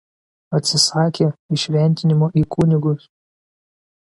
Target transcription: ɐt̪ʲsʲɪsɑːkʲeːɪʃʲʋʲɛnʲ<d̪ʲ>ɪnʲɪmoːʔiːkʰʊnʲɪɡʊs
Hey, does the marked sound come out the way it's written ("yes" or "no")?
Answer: no